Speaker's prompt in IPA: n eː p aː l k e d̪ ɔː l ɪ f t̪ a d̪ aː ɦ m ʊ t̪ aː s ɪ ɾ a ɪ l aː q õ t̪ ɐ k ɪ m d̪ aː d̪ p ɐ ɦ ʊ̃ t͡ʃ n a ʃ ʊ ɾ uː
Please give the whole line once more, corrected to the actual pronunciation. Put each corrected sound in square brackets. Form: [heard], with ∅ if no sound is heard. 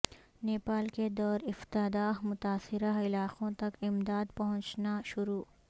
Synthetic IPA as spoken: n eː p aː l k e d̪ ɔː [ɾ] ɪ f t̪ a d̪ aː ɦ m ʊ t̪ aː s ɪ ɾ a ɪ l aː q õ t̪ ɐ k ɪ m d̪ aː d̪ p ɐ ɦ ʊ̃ t͡ʃ n a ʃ ʊ ɾ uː